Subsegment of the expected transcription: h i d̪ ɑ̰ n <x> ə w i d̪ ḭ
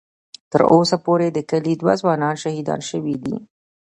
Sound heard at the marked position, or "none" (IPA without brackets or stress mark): ʃ